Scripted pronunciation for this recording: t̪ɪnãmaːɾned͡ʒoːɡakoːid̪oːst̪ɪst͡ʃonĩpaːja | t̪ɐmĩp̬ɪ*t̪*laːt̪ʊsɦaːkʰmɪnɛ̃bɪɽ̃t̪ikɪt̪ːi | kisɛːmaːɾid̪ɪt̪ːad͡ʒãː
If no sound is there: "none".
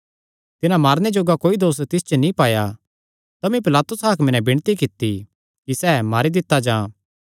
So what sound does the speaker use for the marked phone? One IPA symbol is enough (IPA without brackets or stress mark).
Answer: none